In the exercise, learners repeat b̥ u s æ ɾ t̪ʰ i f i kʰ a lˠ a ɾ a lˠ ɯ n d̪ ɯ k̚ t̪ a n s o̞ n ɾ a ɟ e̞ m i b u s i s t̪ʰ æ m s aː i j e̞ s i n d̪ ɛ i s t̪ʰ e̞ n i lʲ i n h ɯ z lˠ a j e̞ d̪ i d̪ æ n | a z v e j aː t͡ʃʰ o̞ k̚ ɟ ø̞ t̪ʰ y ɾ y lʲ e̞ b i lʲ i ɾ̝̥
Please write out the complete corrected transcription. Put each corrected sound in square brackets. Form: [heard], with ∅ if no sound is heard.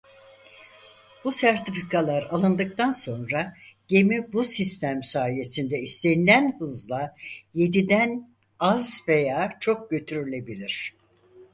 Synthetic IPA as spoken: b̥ u s æ ɾ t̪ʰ i f i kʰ a lˠ a ɾ a lˠ ɯ n d̪ ɯ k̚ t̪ a n s o̞ n ɾ a ɟ e̞ m i b u s i s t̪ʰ æ m s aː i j e̞ s i n d̪ ɛ i s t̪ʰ e̞ n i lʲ [æ] n h ɯ z lˠ a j e̞ d̪ i d̪ æ n | a z v e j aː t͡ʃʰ o̞ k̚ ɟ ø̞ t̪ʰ y ɾ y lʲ e̞ b i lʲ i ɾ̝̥